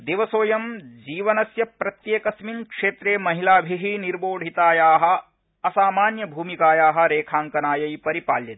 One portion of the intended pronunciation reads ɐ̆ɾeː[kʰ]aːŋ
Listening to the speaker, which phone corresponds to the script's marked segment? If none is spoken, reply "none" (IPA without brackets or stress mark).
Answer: kʰ